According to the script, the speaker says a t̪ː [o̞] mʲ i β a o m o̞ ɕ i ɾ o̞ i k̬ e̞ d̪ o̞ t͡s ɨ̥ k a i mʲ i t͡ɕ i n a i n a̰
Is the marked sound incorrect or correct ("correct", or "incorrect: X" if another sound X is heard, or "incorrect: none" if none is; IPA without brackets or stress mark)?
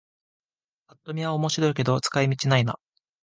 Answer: correct